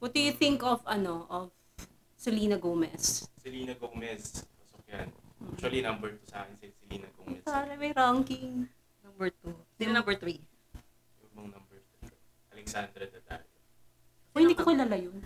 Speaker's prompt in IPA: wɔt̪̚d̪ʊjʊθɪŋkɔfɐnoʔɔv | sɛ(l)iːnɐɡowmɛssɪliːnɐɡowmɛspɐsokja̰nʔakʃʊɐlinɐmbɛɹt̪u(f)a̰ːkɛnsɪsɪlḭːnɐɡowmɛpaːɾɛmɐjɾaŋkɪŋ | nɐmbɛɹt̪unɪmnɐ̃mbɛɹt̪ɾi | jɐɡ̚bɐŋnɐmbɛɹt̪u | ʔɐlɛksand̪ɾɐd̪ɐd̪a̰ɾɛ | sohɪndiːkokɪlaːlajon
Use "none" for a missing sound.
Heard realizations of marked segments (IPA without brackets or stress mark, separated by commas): l, s